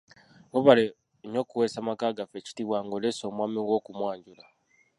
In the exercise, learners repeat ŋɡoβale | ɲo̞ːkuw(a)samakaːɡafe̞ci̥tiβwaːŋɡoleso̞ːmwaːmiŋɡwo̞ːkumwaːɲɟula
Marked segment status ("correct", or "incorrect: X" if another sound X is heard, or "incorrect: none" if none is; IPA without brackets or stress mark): incorrect: e